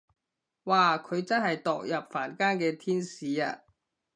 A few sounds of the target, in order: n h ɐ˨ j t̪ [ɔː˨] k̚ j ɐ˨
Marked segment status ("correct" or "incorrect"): correct